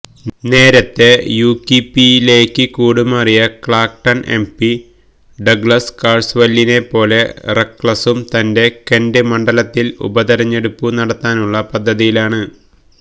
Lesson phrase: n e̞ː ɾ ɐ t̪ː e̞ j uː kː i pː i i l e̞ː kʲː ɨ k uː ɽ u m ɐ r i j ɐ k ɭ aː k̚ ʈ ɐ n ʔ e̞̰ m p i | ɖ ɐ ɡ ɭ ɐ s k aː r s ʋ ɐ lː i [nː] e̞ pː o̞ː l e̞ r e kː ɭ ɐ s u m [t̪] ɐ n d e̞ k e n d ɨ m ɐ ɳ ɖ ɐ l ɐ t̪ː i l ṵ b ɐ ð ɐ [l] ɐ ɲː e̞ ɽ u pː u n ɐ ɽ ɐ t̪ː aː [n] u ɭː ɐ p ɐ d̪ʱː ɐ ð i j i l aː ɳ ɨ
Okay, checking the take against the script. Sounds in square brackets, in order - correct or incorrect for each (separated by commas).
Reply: incorrect, correct, incorrect, correct